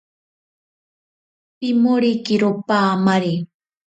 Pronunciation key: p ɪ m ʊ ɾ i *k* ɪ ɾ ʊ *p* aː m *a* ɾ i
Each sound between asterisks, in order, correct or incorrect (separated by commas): correct, correct, correct